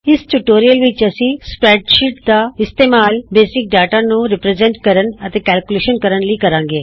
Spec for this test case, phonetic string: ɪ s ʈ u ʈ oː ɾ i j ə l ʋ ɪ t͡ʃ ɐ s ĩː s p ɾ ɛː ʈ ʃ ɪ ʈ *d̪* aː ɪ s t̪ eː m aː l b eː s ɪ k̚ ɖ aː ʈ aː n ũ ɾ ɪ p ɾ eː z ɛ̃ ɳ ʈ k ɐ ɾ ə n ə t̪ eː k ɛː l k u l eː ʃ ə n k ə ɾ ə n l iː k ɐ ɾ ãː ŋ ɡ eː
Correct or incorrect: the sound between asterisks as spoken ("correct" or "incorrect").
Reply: correct